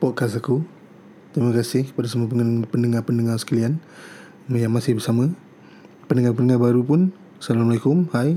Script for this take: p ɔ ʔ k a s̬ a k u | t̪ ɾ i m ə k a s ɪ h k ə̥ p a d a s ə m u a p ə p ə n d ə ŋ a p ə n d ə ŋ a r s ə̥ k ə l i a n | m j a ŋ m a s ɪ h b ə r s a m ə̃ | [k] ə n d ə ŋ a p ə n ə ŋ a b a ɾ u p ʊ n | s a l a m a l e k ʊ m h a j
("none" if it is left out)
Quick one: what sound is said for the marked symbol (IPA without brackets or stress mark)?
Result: p